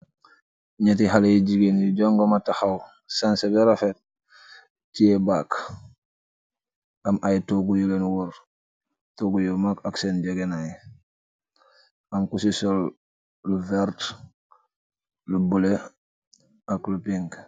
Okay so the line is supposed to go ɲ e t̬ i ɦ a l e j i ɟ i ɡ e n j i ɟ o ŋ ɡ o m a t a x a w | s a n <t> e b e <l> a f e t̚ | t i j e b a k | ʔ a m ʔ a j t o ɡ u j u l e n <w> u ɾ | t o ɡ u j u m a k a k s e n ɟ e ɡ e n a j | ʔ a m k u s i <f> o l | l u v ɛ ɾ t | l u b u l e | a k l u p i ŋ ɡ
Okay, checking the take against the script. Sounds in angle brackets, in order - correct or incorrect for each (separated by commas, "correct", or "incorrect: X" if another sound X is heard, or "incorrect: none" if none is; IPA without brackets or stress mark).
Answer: incorrect: s, incorrect: ɾ, correct, incorrect: s